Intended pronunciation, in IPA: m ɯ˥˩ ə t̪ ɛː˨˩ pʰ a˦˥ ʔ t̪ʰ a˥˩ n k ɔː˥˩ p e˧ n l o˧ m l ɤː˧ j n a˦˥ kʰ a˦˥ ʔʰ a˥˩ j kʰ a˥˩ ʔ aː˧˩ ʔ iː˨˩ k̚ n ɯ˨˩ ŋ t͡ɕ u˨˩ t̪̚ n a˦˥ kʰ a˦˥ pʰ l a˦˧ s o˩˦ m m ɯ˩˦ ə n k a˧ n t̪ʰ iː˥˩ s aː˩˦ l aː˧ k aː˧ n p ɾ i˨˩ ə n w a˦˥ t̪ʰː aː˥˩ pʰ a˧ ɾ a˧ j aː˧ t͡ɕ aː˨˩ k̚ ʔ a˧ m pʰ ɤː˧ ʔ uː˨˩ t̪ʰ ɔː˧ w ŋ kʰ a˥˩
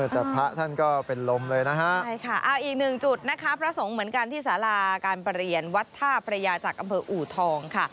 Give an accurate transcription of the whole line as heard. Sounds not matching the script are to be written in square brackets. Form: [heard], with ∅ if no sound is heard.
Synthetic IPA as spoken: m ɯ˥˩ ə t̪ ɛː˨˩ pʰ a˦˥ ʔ t̪ʰ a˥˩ n k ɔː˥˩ p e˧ n l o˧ m l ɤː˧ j n a˦˥ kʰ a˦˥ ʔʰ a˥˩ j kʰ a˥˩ ʔ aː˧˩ ʔ iː˨˩ k̚ n ɯ˨˩ ŋ t͡ɕ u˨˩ t̪̚ n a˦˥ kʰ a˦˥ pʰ [ɾ] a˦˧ s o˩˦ [ŋ] m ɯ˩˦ ə n k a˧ n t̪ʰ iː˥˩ s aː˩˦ l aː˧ k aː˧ n p ɾ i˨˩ ə n w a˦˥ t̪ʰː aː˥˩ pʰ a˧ ɾ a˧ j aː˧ t͡ɕ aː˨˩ k̚ ʔ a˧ m pʰ ɤː˧ ʔ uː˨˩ t̪ʰ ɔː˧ [∅] ŋ kʰ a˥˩